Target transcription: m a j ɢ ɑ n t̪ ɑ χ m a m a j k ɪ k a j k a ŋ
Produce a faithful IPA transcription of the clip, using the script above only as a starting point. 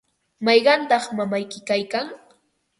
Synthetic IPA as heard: m ɑ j ɢ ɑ n t̪ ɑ χ m a m a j k ɪ k a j k a ŋ